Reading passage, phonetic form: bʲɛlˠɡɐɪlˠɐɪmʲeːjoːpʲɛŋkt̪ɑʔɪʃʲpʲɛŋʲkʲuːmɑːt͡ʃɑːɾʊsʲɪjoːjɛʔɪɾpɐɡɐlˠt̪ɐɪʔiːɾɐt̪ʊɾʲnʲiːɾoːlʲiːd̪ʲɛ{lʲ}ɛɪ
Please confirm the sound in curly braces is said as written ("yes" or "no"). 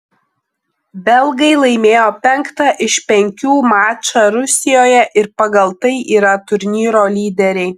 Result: no